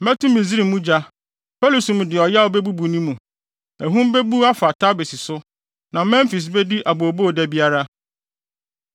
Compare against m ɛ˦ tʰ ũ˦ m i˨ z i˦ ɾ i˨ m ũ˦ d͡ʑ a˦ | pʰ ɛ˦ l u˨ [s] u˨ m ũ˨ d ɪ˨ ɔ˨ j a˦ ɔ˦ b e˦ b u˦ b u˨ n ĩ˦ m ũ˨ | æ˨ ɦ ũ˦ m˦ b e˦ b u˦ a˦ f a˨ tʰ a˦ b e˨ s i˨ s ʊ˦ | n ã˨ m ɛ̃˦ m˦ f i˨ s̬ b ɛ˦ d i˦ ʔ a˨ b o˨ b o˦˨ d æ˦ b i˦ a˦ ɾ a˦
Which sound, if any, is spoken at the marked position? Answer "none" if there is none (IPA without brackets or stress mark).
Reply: s